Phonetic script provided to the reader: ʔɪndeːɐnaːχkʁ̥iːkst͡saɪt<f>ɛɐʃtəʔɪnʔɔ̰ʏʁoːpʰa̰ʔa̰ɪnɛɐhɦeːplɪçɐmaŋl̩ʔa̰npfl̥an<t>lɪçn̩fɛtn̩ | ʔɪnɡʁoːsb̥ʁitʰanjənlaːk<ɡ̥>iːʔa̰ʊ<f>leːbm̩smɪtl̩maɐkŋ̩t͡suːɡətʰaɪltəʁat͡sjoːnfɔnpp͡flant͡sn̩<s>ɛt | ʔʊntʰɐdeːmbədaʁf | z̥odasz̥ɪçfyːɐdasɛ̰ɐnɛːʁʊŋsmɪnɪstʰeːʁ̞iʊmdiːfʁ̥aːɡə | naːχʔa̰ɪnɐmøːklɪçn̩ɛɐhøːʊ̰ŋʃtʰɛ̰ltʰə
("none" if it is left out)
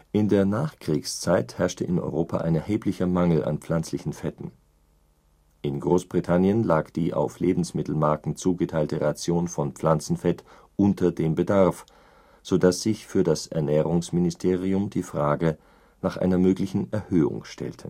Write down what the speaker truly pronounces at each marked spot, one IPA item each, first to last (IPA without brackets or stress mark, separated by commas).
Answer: h, t͡s, d̥, f, f